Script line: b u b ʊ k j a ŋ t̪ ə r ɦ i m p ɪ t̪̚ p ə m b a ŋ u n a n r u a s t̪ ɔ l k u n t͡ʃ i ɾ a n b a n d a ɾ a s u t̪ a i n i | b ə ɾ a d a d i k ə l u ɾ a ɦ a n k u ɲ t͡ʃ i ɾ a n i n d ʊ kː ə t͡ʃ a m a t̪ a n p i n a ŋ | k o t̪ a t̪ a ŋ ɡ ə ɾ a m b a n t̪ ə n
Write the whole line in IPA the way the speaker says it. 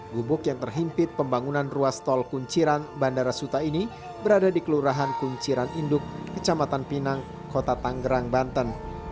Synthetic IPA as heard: ɡ u b ʊ k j a ŋ t̪ ə r ɦ i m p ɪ t̪̚ p ə m b a ŋ u n a n r u a s t̪ ɔ l k u ɲ t͡ʃ i ɾ a n b a n d a ɾ a s u t̪ a i n i | b ə ɾ a d a d i k ə l u ɾ a ɦ a n k u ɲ t͡ʃ i ɾ a n i n d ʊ kː ə t͡ʃ a m a t̪ a n p i n a ŋ | k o t̪ a t̪ a ŋ ɡ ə ɾ a ŋ b a n t̪ ə n